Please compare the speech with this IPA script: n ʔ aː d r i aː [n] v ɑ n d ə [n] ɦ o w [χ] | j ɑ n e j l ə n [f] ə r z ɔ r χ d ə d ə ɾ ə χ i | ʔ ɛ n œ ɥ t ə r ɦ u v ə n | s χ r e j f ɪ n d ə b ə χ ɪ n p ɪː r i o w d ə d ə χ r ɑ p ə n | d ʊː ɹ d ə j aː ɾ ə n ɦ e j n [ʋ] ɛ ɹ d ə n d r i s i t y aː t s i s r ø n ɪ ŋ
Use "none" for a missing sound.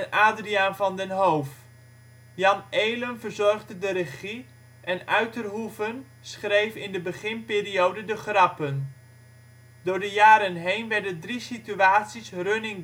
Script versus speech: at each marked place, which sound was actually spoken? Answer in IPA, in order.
n, n, f, v, ʋ

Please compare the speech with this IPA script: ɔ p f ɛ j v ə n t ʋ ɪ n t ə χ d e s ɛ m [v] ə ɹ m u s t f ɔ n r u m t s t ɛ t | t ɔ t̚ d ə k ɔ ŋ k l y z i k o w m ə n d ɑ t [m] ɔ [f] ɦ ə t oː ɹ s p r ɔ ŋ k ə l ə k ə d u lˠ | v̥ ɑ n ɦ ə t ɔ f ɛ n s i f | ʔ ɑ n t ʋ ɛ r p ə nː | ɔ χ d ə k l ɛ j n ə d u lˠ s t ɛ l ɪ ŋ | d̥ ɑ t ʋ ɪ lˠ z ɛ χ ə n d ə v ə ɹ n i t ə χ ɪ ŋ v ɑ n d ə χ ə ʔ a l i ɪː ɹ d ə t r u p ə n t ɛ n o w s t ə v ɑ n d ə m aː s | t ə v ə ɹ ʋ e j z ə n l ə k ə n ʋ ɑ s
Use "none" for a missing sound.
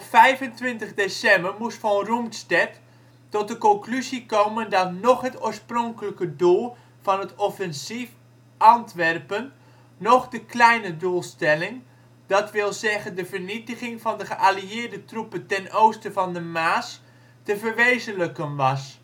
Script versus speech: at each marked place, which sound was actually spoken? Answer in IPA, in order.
b, n, χ

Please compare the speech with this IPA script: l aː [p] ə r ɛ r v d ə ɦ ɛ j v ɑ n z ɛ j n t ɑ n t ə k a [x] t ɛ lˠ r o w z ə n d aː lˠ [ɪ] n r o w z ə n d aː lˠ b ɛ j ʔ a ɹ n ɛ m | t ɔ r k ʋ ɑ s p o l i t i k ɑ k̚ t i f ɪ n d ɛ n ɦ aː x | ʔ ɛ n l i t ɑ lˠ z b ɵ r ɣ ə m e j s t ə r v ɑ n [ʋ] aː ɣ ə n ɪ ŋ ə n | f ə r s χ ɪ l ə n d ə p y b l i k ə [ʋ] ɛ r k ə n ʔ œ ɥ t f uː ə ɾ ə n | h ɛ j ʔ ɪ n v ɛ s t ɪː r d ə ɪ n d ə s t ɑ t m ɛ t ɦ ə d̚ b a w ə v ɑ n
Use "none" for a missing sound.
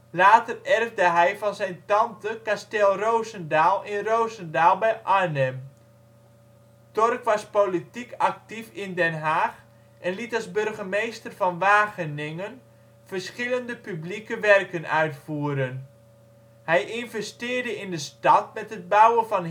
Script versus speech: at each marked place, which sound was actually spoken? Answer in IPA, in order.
t, s, ɪ, ʋ, ʋ

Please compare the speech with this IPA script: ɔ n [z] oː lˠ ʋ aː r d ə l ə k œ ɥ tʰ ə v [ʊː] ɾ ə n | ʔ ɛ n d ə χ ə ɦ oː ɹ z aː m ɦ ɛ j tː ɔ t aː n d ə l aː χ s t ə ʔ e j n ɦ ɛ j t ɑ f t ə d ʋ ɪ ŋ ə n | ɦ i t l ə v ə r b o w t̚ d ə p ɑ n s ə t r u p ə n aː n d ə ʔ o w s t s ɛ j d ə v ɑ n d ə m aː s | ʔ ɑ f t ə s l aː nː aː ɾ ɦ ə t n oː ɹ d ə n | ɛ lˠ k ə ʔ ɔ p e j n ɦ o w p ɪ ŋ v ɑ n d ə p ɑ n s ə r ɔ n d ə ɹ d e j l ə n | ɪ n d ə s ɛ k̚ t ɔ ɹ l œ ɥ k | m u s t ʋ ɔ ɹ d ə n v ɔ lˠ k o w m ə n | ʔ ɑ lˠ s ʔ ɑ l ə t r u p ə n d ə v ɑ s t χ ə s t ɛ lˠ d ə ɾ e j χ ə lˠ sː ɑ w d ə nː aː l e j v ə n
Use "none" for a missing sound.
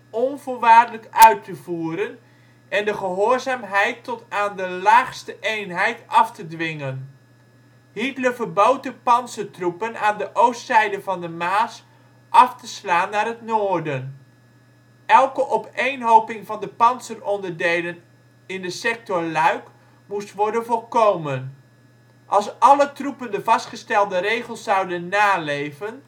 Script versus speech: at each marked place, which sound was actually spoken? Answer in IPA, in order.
v, uː

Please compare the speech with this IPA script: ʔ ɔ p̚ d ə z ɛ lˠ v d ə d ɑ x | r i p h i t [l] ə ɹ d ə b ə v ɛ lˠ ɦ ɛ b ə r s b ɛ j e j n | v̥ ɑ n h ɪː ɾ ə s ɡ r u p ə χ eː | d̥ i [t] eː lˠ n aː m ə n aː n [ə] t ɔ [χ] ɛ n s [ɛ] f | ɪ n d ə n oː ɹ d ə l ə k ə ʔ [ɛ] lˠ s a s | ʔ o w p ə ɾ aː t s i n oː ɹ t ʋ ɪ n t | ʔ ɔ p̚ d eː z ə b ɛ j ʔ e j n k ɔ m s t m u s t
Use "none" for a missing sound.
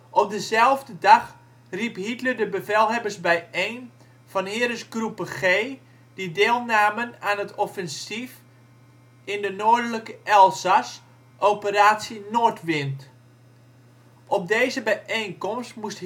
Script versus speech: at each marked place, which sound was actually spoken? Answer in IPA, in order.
l, d, ə, f, i, ɛ

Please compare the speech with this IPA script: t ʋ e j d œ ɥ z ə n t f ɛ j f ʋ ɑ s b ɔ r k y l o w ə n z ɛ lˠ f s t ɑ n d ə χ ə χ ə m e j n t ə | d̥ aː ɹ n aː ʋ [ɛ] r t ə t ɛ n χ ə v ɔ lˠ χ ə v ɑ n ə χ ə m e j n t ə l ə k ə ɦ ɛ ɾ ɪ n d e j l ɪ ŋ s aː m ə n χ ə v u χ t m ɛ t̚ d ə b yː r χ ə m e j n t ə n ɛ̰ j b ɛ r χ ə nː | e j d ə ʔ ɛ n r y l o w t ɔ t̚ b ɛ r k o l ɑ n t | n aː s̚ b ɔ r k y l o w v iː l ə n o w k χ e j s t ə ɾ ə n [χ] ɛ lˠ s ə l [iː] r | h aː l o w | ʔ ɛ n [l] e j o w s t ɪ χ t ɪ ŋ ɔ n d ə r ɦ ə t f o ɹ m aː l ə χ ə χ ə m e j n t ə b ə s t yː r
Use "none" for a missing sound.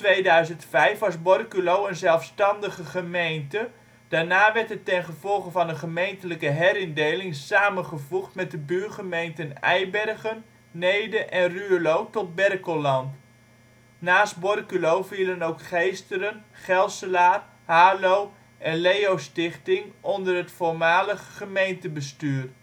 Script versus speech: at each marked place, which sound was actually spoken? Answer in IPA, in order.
ɛ, χ, aː, l

